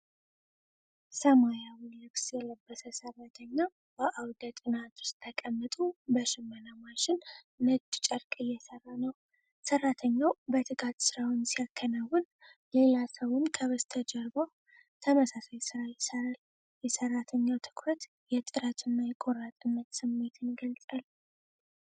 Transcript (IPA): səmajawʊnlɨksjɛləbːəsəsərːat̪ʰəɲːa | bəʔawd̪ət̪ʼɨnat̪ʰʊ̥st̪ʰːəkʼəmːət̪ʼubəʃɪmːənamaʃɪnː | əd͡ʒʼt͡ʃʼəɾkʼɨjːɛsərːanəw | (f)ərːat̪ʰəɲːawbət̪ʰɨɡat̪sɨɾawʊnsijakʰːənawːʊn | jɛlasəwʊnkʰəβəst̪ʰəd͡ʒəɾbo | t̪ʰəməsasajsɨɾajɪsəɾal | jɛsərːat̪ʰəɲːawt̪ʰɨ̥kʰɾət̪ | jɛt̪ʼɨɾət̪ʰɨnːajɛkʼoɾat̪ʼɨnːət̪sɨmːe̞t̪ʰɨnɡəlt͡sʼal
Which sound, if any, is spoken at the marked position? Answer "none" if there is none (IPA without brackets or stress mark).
s